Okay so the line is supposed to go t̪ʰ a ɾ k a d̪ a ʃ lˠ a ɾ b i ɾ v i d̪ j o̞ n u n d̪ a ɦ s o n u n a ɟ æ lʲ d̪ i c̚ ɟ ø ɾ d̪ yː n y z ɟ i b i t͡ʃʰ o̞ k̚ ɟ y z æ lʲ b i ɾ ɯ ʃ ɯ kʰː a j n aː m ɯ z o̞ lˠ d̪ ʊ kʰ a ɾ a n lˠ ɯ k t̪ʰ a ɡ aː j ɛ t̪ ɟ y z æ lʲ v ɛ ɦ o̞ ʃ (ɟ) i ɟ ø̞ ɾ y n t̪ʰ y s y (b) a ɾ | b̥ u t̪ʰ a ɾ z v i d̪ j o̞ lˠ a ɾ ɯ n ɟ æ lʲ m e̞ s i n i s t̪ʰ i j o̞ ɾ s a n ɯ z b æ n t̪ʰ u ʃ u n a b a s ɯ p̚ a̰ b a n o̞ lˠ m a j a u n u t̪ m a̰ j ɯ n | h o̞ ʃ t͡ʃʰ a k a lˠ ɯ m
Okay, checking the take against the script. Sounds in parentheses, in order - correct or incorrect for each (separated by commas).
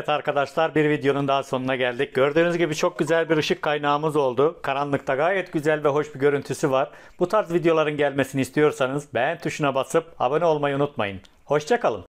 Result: incorrect, incorrect